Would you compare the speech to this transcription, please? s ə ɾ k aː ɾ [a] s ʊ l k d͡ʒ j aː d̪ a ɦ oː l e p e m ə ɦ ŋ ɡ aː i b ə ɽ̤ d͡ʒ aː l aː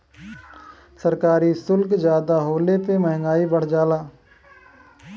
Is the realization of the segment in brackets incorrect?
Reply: yes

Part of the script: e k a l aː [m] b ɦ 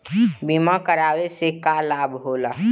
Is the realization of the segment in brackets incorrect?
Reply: yes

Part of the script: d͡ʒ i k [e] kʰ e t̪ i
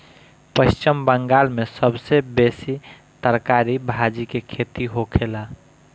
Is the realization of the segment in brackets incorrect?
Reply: no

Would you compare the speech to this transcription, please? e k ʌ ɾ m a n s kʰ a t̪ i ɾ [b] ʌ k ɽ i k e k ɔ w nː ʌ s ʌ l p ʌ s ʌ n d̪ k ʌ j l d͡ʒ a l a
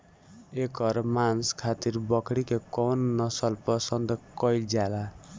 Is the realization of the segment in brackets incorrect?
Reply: no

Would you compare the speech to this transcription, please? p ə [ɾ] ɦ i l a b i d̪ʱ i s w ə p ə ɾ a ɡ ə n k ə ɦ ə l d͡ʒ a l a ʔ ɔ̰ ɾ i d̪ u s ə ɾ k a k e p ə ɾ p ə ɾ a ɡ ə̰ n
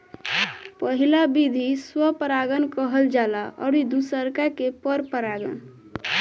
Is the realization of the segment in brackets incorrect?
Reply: yes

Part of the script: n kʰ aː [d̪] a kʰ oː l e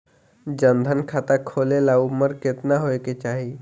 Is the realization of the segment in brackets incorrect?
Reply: yes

